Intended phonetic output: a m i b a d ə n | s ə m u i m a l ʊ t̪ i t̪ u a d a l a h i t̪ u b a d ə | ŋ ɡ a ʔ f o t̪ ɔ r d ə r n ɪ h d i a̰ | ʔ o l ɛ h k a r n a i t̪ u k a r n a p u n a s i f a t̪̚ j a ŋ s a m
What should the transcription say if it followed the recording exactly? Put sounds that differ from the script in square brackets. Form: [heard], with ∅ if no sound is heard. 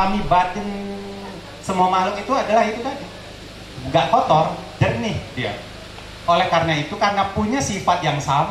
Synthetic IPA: a m i b a d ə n | s ə m u [a] m a l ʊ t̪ i t̪ u a d a l a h i t̪ u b a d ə | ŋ ɡ a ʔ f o t̪ ɔ r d ə r n ɪ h d i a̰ | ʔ o l ɛ h k a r n a i t̪ u k a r n a p u [ɲ] a s i f a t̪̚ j a ŋ s a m